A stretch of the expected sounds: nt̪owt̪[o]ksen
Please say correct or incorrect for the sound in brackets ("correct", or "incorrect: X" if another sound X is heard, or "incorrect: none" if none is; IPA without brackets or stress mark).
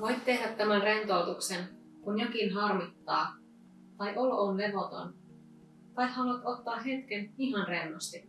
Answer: incorrect: u